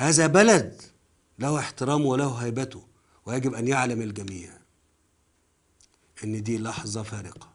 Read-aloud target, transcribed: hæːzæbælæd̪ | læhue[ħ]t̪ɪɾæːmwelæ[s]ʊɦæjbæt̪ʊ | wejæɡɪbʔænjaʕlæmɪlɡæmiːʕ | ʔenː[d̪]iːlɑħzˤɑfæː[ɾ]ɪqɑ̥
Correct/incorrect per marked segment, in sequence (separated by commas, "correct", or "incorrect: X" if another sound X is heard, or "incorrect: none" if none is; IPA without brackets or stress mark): correct, incorrect: h, correct, correct